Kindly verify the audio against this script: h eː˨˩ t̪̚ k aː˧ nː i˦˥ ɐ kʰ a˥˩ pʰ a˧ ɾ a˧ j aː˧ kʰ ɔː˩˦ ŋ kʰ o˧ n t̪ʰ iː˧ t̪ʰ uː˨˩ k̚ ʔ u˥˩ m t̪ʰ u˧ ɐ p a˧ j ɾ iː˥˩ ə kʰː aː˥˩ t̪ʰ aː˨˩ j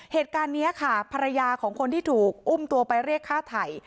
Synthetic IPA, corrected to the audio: h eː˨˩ t̪̚ k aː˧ nː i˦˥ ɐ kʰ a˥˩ pʰ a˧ ɾ a˧ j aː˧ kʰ ɔː˩˦ ŋ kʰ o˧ n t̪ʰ iː˥˩ t̪ʰ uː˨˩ k̚ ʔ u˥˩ m t̪ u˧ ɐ p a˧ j ɾ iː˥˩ ə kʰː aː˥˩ t̪ʰ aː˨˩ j